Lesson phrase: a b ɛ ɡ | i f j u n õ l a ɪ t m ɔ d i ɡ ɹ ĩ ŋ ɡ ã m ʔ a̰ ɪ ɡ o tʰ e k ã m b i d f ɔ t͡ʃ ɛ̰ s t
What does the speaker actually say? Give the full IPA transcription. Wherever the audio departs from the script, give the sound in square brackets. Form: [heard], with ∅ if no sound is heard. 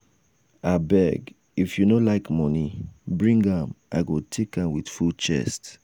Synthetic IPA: a b ɛ ɡ | i f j u n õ l a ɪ [k] m ɔ [n] i [b] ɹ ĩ ŋ ɡ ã m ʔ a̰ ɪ ɡ o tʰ e k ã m [w] i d f [u] t͡ʃ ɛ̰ s t